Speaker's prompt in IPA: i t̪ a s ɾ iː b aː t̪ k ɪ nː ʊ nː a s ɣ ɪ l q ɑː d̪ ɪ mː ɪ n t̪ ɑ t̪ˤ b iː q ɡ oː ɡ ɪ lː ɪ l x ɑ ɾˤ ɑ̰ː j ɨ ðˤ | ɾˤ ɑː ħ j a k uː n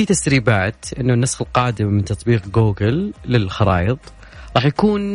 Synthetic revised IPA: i t̪ a s ɾ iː b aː t̪ ʔ ɪ nː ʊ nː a s x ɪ l q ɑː d̪ ɪ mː ɪ n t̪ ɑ t̪ˤ b iː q ɡ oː ɡ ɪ lː ɪ l x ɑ ɾˤ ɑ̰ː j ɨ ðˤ | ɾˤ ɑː ħ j a k uː n